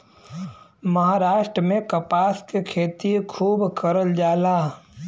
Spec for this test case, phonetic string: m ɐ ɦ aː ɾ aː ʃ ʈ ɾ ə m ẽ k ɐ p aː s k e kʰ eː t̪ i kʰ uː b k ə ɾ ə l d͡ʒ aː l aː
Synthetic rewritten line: m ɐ ɦ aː ɾ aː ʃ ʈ ɾ ə m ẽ k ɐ p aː s k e kʰ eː t̪ i kʰ uː b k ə ɾ ə l d͡ʒ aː l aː